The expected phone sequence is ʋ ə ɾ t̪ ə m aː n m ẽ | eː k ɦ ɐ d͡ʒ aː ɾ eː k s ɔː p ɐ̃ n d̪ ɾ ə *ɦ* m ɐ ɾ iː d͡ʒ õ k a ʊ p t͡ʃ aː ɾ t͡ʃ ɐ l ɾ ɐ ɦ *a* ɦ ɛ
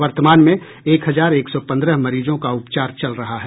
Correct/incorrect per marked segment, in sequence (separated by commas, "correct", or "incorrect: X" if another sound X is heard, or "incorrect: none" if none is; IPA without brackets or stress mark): correct, correct